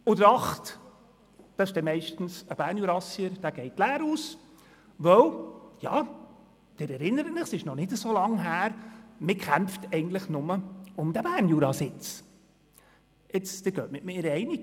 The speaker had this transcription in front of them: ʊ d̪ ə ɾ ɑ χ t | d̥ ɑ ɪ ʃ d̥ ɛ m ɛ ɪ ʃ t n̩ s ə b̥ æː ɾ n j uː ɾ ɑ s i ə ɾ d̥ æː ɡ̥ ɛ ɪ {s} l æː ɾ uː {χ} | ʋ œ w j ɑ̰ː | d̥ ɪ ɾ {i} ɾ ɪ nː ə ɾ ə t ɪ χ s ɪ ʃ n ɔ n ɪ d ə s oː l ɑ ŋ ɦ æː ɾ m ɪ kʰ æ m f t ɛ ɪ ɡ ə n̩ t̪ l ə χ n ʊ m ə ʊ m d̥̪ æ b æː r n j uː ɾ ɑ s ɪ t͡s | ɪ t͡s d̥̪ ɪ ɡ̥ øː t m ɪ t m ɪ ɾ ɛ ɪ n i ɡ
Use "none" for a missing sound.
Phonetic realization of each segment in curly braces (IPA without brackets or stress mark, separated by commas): t, s, ɛ